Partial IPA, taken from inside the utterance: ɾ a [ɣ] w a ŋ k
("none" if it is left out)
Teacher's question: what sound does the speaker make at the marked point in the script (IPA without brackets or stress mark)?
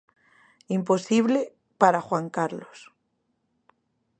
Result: x